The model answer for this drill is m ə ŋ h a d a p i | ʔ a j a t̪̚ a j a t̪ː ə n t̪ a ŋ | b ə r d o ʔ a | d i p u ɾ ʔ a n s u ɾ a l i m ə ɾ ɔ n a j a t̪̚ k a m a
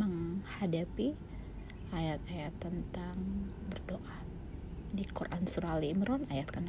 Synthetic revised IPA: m ə ŋ h a d a p i | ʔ a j a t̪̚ a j a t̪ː ə n t̪ a ŋ | b ə r d o ʔ a | d i k u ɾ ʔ a n s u ɾ a l i m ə ɾ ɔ n a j a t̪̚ k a n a